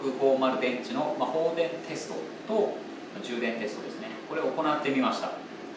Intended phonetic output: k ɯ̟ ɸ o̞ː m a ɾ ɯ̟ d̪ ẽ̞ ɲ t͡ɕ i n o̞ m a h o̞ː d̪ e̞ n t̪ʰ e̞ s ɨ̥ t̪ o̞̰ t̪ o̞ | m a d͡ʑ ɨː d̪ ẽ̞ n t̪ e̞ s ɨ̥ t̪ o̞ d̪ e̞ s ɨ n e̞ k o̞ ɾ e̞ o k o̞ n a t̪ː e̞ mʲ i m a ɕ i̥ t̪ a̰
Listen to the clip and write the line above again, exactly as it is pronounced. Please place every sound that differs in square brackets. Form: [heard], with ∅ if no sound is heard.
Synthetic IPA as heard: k ɯ̟ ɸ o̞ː m a ɾ ɯ̟ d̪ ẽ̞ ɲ t͡ɕ i n o̞ m a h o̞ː d̪ [ẽ̞] n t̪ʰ e̞ s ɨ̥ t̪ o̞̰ t̪ o̞ | m a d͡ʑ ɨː d̪ ẽ̞ n t̪ e̞ s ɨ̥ t̪ o̞ d̪ e̞ s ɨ n e̞ k o̞ ɾ e̞ o k o̞ n a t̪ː e̞ mʲ i m a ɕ i̥ t̪ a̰

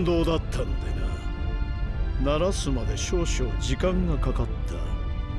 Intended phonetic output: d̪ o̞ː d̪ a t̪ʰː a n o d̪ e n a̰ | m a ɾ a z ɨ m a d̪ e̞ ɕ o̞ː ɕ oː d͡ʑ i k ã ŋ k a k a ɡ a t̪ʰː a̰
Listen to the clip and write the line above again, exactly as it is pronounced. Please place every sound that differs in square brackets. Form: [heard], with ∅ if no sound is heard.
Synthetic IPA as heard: d̪ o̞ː d̪ a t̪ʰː a n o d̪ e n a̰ | [n] a ɾ a [s] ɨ m a d̪ e̞ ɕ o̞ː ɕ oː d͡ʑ i k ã ŋ [ɡ] a k a [k] a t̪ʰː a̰

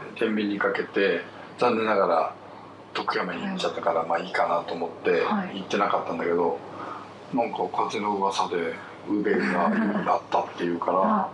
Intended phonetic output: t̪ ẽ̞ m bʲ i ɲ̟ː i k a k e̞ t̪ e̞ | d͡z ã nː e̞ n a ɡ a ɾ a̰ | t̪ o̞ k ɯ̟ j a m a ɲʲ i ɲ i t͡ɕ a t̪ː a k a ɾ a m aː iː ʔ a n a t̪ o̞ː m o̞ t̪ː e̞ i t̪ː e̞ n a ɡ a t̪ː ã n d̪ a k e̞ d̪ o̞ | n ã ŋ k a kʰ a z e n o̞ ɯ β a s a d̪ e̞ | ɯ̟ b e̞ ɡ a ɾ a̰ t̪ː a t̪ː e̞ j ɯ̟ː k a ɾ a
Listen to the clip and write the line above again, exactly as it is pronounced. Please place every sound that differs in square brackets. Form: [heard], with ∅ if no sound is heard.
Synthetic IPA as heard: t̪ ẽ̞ m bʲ i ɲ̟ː i k a k e̞ t̪ e̞ | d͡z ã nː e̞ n a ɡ a ɾ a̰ | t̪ o̞ k ɯ̟ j a m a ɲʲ i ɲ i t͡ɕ a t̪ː a k a ɾ a m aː iː [k] a n a t̪ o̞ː m o̞ t̪ː e̞ i t̪ː e̞ n a [k] a t̪ː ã n d̪ a k e̞ d̪ o̞ | n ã ŋ k a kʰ a z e n o̞ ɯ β a s a d̪ e̞ | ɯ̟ b e̞ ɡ a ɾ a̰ t̪ː a t̪ː e̞ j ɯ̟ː k a ɾ a

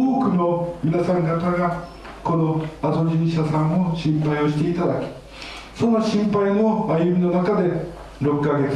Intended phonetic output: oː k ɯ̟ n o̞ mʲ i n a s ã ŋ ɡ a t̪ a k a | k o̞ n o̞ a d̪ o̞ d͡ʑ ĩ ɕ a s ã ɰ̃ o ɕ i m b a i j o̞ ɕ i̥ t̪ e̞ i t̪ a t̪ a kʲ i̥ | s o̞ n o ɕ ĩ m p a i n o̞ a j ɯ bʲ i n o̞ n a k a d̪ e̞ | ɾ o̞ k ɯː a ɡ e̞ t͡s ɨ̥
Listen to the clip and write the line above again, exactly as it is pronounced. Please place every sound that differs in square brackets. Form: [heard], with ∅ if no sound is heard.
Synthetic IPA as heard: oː k ɯ̟ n o̞ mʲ i n a s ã ŋ ɡ a t̪ a [ɡ] a | k o̞ n o̞ a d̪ o̞ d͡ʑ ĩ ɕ a s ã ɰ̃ o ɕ [ĩ] m [p] a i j o̞ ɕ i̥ t̪ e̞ i t̪ a [d̪] a kʲ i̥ | s o̞ n o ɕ ĩ m p a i n o̞ a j ɯ [mʲ] i n o̞ n a k a d̪ e̞ | ɾ o̞ k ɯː a ɡ e̞ t͡s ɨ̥

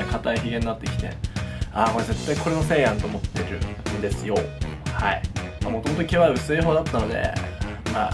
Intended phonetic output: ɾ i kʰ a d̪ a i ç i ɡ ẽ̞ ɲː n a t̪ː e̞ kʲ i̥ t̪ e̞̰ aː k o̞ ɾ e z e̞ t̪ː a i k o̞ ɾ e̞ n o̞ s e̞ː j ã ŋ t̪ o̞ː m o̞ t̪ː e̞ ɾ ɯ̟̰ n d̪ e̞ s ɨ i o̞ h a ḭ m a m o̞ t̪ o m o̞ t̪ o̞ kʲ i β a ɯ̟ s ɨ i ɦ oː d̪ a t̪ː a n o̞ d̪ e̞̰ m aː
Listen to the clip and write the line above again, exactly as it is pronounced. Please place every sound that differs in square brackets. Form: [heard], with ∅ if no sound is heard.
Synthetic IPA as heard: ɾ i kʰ a [t̪] a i ç i ɡ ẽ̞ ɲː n a t̪ː e̞ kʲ i̥ t̪ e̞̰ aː k o̞ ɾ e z e̞ t̪ː a i k o̞ ɾ e̞ n o̞ s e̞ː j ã [n] t̪ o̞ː m o̞ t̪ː e̞ ɾ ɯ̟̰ n d̪ e̞ s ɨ [j] o̞ h a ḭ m a m o̞ t̪ o m o̞ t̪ o̞ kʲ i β a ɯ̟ s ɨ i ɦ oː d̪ a t̪ː a n o̞ d̪ e̞̰ m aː

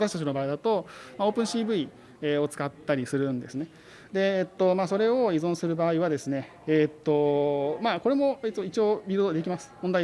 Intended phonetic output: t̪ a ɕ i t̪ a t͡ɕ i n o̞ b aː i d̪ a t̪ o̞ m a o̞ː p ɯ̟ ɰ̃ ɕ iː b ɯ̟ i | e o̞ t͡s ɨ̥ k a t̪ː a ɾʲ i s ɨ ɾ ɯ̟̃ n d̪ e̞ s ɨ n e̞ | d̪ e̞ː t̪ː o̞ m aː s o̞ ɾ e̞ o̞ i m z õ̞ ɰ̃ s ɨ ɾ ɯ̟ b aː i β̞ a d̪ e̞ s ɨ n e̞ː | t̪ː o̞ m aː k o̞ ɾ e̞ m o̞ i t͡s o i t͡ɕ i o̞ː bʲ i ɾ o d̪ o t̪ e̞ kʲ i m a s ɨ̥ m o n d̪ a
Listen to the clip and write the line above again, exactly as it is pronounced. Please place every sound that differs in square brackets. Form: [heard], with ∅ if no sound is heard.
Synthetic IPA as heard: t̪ a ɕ i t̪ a t͡ɕ i n o̞ b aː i d̪ a t̪ o̞ m a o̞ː p [ɯ̟̃] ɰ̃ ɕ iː b ɯ̟ i | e o̞ t͡s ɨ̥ k a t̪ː a ɾʲ i s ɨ ɾ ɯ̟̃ n d̪ e̞ s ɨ n e̞ | d̪ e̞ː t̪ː o̞ m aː s o̞ ɾ e̞ o̞ i [∅] z õ̞ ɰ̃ s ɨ ɾ ɯ̟ b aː i β̞ a d̪ e̞ s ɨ n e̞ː | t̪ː o̞ m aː k o̞ ɾ e̞ m o̞ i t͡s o i t͡ɕ i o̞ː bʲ i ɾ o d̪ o [d̪] e̞ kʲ i m a s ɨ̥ m o n d̪ a

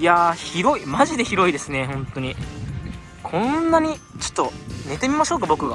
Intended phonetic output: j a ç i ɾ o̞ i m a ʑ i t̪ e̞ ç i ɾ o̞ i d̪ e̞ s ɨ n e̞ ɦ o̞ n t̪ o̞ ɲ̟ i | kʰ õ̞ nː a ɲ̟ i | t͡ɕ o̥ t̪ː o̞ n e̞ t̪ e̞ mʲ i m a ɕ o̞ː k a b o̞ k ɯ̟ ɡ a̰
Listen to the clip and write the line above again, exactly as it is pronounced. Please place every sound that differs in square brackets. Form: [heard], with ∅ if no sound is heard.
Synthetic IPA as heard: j a ç i ɾ o̞ i m a ʑ i [d̪] e̞ ç i ɾ o̞ i d̪ e̞ s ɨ n e̞ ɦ [õ̞] n t̪ o̞ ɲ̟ i | kʰ õ̞ nː a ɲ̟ i | t͡ɕ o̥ t̪ː o̞ n e̞ t̪ e̞ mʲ i m a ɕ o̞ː k a b o̞ k ɯ̟ ɡ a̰

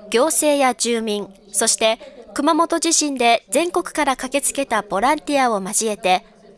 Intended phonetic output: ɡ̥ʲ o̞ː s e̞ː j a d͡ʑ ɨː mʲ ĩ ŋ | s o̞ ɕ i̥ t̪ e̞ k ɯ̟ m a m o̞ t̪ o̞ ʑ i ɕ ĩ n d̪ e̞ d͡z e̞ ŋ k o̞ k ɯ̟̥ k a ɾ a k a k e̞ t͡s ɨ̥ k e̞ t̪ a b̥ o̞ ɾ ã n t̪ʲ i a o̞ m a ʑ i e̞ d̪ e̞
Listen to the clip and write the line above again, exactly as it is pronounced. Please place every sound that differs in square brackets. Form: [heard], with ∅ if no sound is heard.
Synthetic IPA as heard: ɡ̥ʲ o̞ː s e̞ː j a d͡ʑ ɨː mʲ ĩ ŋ | s o̞ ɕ i̥ t̪ e̞ k ɯ̟ m a m o̞ t̪ o̞ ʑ i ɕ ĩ n d̪ e̞ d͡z [ẽ̞] ŋ k o̞ k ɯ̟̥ k a ɾ a k a k e̞ t͡s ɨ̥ k e̞ t̪ a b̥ o̞ ɾ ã n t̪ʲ i a o̞ m a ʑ i e̞ [t̪] e̞

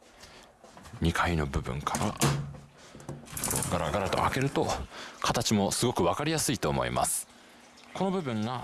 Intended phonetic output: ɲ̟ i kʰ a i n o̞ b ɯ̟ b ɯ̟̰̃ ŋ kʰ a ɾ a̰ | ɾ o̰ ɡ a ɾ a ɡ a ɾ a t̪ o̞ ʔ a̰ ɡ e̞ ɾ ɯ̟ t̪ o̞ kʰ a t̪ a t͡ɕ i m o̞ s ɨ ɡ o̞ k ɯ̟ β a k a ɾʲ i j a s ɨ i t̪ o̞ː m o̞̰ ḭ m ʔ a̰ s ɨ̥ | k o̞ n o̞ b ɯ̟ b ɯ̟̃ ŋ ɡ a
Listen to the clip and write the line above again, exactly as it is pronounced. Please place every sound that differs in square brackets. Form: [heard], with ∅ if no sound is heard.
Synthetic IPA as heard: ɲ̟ i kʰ a i n o̞ b ɯ̟ b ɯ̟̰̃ ŋ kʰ a ɾ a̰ | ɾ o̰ ɡ a ɾ a ɡ a ɾ a t̪ o̞ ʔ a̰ [k] e̞ ɾ ɯ̟ t̪ o̞ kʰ a t̪ a t͡ɕ i m o̞ s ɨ ɡ o̞ k ɯ̟ β a k a ɾʲ i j a s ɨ i t̪ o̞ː m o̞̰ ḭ m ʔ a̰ s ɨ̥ | k o̞ n o̞ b ɯ̟ b ɯ̟̃ ŋ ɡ a

